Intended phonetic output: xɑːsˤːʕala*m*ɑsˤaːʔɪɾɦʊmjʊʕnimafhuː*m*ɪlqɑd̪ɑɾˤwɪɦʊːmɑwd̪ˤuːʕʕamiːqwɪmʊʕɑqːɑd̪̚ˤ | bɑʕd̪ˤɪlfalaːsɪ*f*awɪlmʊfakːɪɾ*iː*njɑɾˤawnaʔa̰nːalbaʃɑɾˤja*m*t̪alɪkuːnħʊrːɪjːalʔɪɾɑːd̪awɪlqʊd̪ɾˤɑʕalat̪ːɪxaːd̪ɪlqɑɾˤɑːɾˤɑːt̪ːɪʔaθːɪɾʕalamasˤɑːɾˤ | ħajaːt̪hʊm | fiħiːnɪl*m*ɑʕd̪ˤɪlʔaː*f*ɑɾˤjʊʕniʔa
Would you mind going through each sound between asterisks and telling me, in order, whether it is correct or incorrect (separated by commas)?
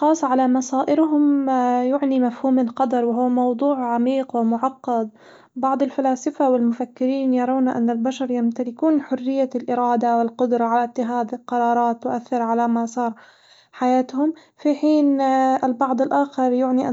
correct, correct, correct, correct, correct, incorrect, incorrect